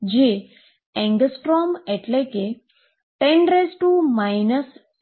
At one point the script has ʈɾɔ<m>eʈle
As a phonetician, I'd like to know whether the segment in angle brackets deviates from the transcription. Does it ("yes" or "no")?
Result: no